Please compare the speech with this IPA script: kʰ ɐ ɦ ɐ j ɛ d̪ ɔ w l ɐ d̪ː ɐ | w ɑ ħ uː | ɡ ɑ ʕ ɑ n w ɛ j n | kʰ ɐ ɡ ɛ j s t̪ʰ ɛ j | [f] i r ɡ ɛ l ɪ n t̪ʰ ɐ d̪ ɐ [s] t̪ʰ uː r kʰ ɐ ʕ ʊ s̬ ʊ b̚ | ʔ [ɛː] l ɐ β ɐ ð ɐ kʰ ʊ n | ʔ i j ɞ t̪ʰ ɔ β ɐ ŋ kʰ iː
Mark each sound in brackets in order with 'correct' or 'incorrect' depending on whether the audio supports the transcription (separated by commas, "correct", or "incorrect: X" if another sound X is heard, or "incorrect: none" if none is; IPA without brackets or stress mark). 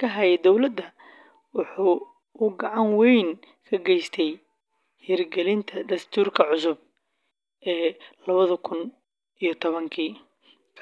incorrect: h, correct, correct